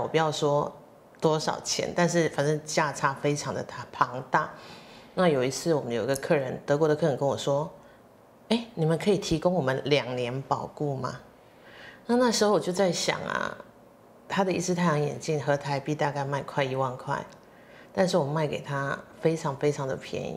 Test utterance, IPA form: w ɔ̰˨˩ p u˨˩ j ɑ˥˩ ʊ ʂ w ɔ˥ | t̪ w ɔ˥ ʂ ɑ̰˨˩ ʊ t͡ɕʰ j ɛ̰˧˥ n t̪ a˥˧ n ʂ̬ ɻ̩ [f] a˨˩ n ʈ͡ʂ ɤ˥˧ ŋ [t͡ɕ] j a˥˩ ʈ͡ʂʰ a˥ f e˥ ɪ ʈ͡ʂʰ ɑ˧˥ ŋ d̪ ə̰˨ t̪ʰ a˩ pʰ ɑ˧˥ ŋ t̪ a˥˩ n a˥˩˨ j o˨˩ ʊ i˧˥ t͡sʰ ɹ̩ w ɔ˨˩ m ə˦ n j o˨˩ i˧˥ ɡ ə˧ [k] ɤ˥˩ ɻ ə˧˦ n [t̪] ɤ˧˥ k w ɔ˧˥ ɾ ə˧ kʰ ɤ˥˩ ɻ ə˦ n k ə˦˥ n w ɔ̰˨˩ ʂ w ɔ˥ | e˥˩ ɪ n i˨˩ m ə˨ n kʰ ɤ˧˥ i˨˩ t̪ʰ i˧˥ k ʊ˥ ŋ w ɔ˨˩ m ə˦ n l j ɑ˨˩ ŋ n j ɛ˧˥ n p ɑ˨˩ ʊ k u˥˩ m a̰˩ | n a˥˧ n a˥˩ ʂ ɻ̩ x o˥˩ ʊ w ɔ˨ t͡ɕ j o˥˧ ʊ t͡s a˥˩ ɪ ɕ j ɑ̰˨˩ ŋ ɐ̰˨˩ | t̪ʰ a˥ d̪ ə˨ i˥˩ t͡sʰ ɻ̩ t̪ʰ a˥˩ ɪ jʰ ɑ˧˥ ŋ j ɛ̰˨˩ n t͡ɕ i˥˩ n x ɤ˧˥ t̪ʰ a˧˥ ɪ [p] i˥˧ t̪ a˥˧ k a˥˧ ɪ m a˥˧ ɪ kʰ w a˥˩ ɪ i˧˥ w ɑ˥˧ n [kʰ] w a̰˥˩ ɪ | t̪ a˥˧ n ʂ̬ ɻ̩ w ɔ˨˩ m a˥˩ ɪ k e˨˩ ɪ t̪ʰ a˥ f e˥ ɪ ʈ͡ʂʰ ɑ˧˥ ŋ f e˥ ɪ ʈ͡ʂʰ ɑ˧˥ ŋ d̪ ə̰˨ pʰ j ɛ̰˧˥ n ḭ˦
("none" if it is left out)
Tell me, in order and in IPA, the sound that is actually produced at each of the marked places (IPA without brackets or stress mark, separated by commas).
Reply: f, t͡ɕ, kʰ, t̪, p, kʰ